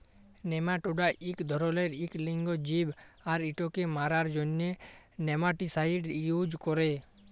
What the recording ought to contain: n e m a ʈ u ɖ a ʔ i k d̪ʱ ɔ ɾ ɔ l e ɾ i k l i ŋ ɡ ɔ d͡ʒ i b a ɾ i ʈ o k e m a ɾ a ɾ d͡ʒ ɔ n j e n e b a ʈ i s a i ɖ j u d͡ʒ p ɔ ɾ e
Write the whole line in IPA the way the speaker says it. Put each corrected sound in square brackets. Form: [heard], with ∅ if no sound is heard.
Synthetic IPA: n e m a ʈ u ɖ a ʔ i k d̪ʱ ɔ ɾ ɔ l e ɾ i k l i ŋ ɡ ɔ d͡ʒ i b a ɾ i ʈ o k e m a ɾ a ɾ d͡ʒ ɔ n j e n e [m] a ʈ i s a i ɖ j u d͡ʒ [k] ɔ ɾ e